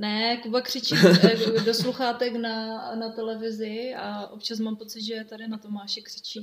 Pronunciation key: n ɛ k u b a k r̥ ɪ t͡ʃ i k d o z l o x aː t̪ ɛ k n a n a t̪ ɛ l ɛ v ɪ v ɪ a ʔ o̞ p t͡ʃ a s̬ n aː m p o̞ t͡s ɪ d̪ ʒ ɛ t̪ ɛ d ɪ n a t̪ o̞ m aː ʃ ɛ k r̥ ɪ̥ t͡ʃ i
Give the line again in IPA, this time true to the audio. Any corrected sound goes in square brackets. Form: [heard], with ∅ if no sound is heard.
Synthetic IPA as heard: n ɛ k u b a k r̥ ɪ t͡ʃ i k d o [s] l [u] x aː t̪ ɛ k n a n a t̪ ɛ l ɛ v ɪ [z] ɪ a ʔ o̞ p t͡ʃ a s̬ [m] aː m p o̞ t͡s ɪ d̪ ʒ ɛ t̪ [a] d ɪ n a t̪ o̞ m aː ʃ ɛ k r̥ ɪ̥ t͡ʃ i